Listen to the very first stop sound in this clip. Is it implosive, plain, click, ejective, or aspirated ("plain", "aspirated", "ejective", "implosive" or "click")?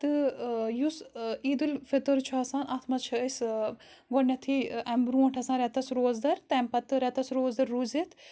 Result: plain